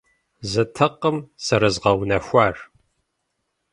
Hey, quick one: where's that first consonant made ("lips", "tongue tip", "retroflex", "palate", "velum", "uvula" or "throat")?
tongue tip